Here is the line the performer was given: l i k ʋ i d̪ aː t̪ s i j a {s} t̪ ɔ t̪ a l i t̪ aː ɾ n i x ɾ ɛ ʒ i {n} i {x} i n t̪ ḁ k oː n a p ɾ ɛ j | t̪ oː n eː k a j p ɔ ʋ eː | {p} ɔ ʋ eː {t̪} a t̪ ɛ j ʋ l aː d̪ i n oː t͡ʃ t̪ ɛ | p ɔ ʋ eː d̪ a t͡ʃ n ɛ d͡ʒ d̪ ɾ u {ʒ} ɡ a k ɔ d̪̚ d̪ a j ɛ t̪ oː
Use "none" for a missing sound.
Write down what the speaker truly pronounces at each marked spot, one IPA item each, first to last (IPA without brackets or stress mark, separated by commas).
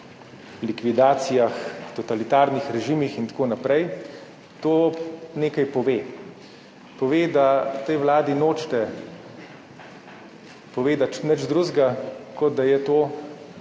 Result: x, m, x, p, d̪, z